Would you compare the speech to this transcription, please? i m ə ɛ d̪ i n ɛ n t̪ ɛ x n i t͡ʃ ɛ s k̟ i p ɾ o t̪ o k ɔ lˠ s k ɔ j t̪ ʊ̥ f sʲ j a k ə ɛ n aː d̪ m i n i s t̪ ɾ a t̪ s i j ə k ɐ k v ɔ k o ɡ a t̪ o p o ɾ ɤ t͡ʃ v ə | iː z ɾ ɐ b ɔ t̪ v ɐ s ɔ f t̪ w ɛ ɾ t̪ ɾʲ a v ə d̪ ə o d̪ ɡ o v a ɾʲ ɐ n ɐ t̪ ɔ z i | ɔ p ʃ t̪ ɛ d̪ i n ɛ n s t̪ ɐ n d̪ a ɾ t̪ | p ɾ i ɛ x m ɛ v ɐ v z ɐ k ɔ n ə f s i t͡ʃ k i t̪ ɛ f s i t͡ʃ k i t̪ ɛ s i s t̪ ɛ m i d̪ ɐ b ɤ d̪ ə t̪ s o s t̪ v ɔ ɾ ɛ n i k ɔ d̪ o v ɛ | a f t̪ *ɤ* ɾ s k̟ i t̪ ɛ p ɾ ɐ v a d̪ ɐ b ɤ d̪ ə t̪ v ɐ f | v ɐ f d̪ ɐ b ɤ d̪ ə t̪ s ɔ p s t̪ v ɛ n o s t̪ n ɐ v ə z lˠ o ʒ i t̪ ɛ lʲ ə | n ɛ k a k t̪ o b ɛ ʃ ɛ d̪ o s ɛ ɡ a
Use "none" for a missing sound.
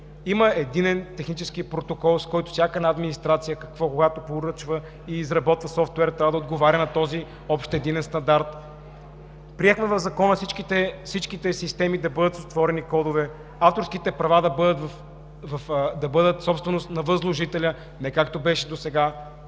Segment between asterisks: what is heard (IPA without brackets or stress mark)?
o